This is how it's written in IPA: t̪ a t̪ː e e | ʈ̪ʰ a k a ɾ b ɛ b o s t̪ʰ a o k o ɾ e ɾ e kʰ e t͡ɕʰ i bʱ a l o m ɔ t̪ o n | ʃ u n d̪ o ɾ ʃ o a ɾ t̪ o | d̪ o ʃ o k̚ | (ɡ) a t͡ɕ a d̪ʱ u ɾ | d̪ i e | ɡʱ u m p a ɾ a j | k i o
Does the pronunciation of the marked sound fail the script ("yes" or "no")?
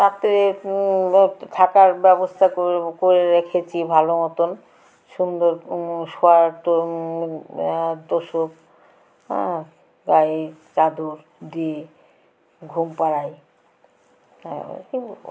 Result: no